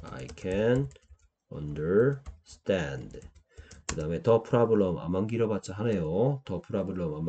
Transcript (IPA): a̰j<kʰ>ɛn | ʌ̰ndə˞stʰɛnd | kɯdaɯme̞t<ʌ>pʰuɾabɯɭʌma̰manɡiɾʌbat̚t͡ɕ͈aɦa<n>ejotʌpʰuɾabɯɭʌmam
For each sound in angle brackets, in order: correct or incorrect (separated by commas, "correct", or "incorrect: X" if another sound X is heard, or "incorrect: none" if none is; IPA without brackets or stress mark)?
correct, correct, correct